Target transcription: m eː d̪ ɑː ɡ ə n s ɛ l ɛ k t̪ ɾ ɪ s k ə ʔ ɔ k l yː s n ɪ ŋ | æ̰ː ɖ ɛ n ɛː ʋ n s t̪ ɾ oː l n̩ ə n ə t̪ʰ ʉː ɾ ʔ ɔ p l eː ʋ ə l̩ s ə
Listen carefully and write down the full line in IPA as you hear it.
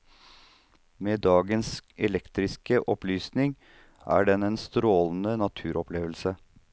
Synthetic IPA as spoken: m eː d̪ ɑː ɡ ə n s ɛ l ɛ k t̪ ɾ ɪ s k ə ʔ ɔ p l yː s n ɪ ŋ | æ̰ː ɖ ɛ n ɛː n s t̪ ɾ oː l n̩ ə n ɑ t̪ʰ ʉː ɾ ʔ ɔ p l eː ʋ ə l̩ s ə